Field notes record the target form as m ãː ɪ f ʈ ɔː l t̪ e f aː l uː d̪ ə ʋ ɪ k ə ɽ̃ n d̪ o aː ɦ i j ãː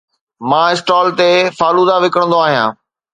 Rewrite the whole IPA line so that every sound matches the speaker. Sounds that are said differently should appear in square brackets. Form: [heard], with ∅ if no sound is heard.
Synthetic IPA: m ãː ɪ [s] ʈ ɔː l t̪ e f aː l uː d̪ [a] ʋ ɪ k ə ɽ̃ n d̪ o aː ɦ i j ãː

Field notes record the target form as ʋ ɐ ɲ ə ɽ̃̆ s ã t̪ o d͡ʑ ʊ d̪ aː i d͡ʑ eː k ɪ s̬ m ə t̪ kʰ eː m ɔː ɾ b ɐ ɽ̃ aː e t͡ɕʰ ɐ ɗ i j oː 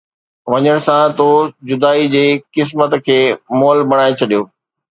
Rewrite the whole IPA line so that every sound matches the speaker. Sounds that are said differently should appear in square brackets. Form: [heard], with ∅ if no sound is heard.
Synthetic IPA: ʋ ɐ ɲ ə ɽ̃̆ s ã t̪ o d͡ʑ ʊ d̪ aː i d͡ʑ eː k ɪ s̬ m ə t̪ kʰ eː m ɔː [l] b ɐ ɽ̃ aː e t͡ɕʰ ɐ ɗ i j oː

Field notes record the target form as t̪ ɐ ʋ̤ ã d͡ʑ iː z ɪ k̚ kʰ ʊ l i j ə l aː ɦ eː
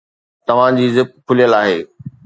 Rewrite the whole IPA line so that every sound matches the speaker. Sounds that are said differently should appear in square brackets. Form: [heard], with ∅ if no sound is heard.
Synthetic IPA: t̪ ɐ ʋ̤ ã d͡ʑ iː z ɪ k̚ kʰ ʊ l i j ə l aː ɦ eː

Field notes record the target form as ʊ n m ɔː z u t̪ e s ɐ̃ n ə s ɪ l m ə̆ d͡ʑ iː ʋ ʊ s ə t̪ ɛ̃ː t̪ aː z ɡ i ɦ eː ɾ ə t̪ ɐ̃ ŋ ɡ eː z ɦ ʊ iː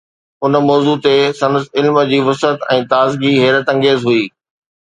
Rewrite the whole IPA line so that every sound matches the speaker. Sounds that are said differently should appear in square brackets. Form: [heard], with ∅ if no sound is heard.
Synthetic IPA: ʊ n m ɔː z u t̪ e s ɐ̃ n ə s ɪ l m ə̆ d͡ʑ iː ʋ ʊ s ə t̪ ɛ̃ː t̪ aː z ɡ i ɦ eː ɾ ə t̪ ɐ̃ ŋ ɡ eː z ɦ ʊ iː

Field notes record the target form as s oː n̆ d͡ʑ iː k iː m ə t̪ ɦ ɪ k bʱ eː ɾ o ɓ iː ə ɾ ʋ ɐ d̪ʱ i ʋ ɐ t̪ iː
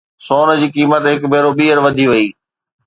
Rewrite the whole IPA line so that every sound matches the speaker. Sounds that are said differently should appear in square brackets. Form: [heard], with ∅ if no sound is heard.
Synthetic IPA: s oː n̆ d͡ʑ iː k iː m ə t̪ ɦ ɪ k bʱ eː ɾ o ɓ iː ə ɾ ʋ ɐ d̪ʱ i ʋ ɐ [∅] iː

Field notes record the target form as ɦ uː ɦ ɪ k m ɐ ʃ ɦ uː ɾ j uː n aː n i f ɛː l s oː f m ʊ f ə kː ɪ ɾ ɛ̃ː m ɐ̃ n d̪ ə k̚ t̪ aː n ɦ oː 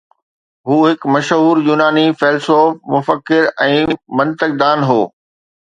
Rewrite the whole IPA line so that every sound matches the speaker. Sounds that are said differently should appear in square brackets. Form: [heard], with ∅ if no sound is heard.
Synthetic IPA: ɦ uː ɦ ɪ k m ɐ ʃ ɦ uː ɾ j uː n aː n i f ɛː l s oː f m ʊ f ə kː ɪ ɾ ɛ̃ː m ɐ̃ n [t̪] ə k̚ [d̪] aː n ɦ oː

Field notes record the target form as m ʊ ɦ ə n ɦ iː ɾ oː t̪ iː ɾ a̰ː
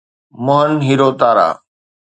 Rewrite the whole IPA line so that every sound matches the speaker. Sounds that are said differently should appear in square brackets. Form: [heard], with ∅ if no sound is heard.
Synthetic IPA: m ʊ ɦ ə n ɦ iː ɾ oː t̪ [aː] ɾ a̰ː

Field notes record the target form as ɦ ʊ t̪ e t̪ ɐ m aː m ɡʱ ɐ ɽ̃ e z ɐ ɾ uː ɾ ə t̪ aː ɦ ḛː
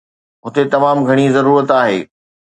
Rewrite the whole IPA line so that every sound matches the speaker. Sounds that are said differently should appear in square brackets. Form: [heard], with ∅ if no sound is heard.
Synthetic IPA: ɦ ʊ t̪ e t̪ ɐ m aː m ɡʱ ɐ ɽ̃ [i] z ɐ ɾ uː ɾ ə t̪ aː ɦ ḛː

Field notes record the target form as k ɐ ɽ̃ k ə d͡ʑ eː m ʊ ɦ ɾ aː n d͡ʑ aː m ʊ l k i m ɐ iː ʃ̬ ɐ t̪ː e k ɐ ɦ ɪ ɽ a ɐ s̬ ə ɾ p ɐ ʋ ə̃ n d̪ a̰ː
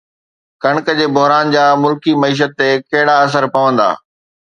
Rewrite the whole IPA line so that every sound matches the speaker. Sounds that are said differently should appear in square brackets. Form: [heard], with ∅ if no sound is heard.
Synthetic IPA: k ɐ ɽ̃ k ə d͡ʑ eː [b] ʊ ɦ ɾ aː n d͡ʑ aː m ʊ l k i m ɐ iː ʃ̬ [ə] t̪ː e k ɐ ɦ ɪ ɽ a ɐ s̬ ə ɾ p ɐ ʋ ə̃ n d̪ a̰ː

